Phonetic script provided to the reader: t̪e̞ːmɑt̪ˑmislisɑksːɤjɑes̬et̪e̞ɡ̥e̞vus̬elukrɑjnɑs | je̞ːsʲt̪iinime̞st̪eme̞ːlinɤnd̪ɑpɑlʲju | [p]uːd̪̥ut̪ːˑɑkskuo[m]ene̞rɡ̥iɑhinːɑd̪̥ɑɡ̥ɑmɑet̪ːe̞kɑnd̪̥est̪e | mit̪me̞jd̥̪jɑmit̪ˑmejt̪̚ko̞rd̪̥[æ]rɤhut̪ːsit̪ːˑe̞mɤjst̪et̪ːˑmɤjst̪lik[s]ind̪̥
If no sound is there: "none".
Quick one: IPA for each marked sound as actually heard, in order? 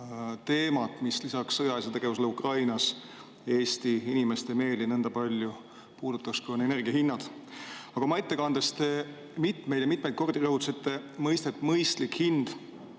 p, n, i, h

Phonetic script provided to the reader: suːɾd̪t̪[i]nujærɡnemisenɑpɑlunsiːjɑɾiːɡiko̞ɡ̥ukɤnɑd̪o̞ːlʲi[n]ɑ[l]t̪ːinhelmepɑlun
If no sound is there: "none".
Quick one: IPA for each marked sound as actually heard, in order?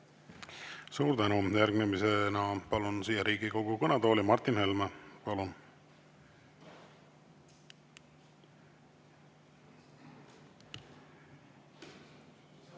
æ, m, r

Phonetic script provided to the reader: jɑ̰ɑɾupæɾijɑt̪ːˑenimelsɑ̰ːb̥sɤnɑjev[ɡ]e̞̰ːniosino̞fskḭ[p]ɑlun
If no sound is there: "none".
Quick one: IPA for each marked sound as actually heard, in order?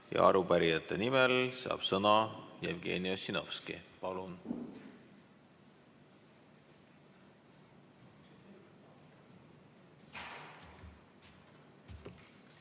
ɡ, p

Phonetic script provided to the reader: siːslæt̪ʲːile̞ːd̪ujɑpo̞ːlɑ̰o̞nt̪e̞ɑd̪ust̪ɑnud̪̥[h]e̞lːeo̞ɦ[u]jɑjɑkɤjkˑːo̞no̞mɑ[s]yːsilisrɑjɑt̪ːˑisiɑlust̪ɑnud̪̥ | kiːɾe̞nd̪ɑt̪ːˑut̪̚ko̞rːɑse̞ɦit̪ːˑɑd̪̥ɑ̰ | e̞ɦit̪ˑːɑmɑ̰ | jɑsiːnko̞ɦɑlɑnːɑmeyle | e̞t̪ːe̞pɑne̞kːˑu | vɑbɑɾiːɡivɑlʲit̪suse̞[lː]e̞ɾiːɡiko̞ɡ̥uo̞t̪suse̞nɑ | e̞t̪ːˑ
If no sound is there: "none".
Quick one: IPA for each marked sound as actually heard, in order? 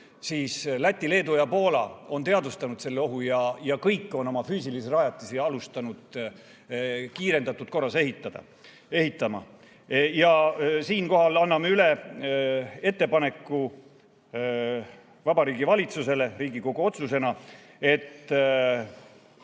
s, u, f, l

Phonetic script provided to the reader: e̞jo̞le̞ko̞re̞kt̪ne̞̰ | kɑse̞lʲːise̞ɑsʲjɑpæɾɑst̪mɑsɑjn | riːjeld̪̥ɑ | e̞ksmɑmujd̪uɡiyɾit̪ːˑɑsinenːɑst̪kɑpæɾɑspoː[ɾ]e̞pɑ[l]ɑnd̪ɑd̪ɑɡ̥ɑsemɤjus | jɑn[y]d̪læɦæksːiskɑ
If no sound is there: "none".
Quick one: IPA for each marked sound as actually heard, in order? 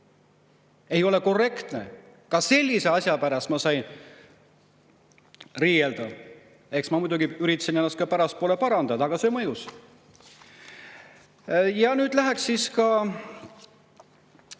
l, ɾ, yː

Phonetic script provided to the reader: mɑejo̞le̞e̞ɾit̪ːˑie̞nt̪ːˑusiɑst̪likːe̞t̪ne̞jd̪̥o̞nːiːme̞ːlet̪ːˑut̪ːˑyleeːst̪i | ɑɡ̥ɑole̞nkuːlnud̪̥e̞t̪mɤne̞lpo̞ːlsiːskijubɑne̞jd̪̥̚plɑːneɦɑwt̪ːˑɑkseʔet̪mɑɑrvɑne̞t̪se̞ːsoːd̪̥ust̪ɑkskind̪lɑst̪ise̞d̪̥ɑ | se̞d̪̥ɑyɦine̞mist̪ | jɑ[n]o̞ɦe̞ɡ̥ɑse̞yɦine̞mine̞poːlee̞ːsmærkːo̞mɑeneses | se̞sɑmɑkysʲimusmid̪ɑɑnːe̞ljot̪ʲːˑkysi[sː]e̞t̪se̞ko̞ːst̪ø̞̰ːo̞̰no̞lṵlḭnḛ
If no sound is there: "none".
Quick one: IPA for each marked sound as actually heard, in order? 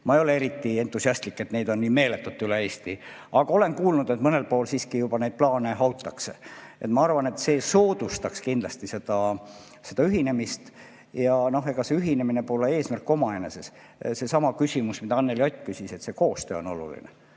n, s

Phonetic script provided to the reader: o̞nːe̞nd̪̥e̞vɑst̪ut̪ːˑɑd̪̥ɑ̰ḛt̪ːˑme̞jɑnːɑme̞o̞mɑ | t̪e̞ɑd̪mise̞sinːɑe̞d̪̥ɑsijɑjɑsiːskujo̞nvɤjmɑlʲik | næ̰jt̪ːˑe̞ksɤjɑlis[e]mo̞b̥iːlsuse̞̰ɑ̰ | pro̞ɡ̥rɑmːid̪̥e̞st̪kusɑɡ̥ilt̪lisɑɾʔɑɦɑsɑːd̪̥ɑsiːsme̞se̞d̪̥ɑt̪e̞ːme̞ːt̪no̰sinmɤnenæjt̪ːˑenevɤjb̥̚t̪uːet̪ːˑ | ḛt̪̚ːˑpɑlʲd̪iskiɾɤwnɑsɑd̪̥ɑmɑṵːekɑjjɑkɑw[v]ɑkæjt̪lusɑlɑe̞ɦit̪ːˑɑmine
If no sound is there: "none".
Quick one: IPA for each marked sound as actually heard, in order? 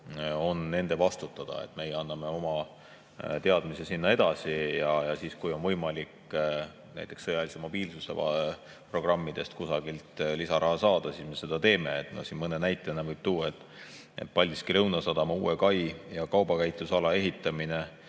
e, b

